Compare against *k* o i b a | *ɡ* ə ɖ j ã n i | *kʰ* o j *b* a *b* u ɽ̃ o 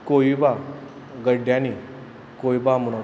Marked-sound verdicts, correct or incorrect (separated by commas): correct, correct, incorrect, correct, incorrect